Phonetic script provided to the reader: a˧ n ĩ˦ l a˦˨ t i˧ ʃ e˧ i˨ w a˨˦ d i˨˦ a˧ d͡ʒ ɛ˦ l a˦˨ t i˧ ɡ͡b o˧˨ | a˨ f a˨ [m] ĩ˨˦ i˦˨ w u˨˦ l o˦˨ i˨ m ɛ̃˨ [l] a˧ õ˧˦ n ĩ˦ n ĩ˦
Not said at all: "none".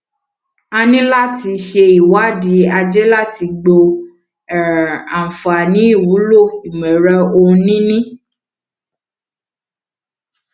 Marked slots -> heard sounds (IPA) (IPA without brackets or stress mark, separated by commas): n, ɾ